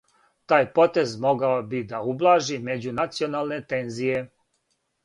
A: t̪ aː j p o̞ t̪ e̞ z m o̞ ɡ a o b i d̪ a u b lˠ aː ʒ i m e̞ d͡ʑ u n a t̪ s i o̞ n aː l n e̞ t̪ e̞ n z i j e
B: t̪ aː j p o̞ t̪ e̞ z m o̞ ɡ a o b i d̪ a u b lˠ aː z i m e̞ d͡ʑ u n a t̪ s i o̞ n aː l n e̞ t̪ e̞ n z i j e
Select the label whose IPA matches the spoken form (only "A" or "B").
A